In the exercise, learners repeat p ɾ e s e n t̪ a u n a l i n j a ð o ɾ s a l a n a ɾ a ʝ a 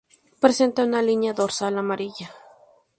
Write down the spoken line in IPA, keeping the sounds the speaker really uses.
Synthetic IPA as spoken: p ɾ e s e n t̪ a u n a l i n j a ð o ɾ s a l a m a ɾ i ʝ a